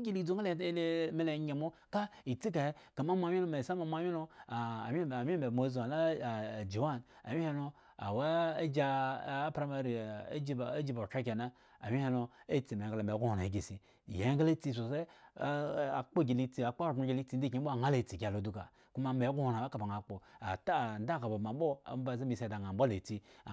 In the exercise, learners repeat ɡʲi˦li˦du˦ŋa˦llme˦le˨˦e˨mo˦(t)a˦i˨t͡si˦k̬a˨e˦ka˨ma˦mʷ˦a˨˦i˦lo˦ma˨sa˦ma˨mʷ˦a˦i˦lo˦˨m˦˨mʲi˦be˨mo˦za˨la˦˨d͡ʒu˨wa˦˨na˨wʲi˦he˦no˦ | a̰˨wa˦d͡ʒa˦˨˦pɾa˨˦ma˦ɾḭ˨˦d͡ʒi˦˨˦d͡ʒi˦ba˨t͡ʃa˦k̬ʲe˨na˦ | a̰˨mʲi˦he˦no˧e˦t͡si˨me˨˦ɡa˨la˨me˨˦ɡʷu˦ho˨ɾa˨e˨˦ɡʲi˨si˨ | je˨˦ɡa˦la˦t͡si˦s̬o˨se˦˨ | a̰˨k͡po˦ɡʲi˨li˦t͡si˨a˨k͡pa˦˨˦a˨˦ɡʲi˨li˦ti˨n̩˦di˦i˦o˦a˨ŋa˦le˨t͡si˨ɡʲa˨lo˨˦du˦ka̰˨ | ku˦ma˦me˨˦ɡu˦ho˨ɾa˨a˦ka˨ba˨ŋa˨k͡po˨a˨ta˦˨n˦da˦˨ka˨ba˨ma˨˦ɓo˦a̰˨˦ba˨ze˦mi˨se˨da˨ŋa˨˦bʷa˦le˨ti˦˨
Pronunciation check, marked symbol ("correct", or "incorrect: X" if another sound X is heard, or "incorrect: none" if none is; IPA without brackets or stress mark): incorrect: k